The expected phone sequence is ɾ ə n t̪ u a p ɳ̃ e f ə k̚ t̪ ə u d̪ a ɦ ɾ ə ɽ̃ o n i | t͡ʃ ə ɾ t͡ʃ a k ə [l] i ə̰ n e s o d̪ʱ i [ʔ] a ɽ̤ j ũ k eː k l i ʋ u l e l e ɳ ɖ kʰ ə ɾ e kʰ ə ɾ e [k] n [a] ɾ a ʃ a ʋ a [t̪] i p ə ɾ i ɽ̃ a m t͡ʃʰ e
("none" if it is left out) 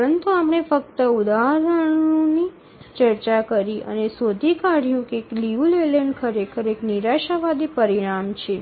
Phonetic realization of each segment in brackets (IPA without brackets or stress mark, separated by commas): ɾ, k, k, i, d̪